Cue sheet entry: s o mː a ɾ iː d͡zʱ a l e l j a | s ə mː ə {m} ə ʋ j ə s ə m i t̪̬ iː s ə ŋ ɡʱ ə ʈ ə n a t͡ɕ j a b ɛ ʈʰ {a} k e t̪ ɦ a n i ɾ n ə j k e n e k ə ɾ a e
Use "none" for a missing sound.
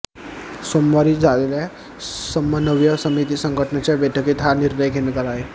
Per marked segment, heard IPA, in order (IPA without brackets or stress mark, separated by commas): n, ə